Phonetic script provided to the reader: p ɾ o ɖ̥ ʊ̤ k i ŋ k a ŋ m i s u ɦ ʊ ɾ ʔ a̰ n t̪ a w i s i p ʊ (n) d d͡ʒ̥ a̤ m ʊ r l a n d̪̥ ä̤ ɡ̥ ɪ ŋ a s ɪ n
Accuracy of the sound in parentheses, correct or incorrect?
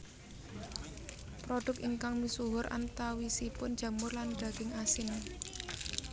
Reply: correct